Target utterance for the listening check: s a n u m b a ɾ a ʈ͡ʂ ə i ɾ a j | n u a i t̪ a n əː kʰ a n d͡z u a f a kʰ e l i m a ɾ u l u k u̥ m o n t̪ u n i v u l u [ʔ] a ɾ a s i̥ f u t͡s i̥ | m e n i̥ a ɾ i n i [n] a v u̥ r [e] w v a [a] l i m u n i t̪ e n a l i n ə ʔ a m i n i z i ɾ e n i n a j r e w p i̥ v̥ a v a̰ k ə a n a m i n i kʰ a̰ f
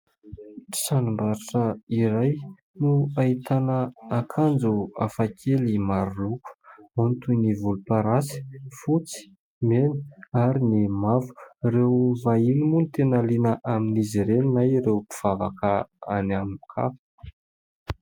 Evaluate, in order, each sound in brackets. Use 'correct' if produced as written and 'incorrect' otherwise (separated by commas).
incorrect, incorrect, correct, incorrect